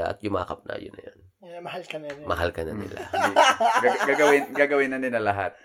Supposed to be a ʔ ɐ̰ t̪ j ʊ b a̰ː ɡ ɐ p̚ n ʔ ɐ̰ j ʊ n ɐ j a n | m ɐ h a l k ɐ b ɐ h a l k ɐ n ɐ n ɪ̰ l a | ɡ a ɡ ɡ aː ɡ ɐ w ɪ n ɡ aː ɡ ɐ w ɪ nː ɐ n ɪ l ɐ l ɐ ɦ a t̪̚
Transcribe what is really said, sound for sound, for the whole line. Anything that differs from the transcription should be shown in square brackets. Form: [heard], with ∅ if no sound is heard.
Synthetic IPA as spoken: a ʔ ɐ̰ t̪ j ʊ [m] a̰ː [k] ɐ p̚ n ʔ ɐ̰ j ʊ n ɐ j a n | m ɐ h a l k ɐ [m] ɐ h a l k ɐ n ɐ n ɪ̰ l a | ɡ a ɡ ɡ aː ɡ ɐ w ɪ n ɡ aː ɡ ɐ w ɪ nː ɐ n ɪ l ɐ l ɐ ɦ a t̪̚